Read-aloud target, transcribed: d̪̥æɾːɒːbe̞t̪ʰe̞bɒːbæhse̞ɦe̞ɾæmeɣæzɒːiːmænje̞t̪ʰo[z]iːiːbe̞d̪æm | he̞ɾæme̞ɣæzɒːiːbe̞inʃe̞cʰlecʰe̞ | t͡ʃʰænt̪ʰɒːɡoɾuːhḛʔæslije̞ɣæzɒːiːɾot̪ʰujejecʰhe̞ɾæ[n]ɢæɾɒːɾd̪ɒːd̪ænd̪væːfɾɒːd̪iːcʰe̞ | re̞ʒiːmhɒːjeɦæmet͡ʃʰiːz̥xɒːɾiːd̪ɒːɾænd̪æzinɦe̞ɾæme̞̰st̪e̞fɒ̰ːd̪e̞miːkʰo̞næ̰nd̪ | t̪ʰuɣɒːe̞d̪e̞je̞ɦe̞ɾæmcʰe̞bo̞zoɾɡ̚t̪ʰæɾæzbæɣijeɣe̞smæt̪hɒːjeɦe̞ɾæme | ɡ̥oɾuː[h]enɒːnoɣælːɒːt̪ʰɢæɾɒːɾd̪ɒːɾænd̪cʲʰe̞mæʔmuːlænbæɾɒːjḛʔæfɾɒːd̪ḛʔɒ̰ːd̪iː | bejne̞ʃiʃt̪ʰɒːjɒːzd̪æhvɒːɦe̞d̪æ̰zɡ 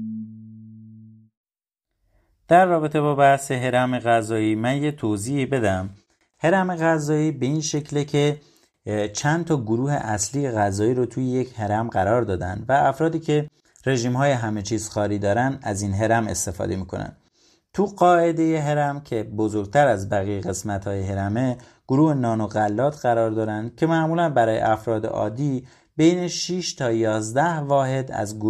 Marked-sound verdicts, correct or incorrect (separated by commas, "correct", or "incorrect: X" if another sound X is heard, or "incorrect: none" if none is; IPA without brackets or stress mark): correct, incorrect: m, correct